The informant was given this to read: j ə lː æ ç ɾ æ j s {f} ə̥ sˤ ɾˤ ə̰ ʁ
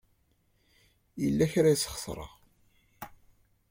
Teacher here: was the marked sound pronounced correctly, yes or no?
no